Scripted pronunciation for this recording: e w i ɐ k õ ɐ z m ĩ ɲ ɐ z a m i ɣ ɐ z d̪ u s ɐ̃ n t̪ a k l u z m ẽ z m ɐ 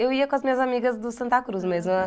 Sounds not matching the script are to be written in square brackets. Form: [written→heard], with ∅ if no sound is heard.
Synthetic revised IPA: e w i ɐ k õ ɐ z m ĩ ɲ ɐ z a m i ɣ ɐ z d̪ u s ɐ̃ n t̪ a k [l→ɾ] u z m [ẽ→e] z m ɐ